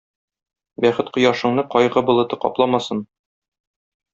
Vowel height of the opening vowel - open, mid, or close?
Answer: open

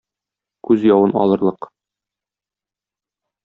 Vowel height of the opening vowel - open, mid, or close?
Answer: close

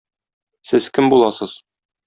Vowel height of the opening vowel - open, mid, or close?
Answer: mid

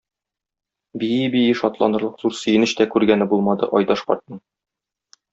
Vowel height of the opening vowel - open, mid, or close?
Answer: close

